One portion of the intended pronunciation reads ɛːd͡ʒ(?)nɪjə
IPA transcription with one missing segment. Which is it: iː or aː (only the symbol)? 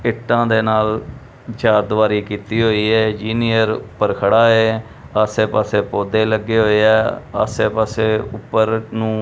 iː